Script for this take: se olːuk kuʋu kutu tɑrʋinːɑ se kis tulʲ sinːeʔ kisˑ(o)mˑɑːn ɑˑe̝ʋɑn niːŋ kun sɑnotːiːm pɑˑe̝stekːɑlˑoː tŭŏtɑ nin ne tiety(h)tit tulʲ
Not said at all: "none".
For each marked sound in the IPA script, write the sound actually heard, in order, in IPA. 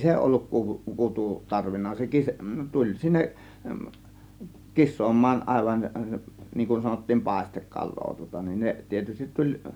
oː, s

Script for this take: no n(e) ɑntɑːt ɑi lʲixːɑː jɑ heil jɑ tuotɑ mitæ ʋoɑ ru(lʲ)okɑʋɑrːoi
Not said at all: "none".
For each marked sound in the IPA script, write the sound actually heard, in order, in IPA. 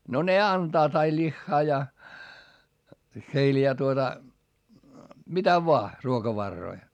e, none

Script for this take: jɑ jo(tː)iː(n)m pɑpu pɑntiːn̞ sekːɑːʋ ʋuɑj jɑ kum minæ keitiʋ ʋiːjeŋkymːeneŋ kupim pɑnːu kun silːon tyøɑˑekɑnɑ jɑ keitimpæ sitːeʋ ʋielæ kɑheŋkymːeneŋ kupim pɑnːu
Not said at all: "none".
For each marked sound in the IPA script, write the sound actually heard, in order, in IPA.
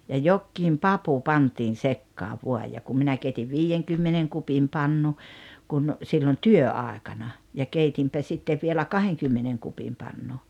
kː, none

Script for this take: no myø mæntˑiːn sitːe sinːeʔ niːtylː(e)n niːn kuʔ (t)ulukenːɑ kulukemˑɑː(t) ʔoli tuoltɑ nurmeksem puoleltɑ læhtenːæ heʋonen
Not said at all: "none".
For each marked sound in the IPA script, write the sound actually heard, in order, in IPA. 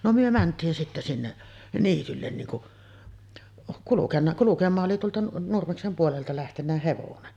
e, k, ʔ

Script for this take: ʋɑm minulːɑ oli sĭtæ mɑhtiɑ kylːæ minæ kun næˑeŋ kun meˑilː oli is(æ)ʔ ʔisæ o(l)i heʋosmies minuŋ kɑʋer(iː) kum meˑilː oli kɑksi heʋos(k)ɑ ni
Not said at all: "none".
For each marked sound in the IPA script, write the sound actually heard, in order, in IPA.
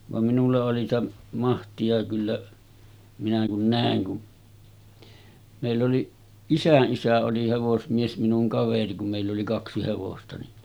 æ, l, i, t

